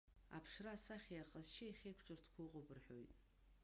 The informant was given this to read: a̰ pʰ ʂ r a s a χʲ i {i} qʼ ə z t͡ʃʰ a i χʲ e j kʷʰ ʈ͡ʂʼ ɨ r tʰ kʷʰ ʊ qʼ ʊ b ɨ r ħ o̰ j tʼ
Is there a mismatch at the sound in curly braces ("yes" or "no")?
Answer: yes